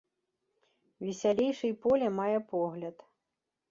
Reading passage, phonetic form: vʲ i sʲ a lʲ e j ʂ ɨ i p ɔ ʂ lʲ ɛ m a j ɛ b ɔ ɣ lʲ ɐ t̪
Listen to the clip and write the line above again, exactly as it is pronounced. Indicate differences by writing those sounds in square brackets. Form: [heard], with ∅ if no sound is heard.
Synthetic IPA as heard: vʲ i sʲ a lʲ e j ʂ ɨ [j] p ɔ [∅] lʲ ɛ m a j ɛ [p] ɔ ɣ lʲ ɐ t̪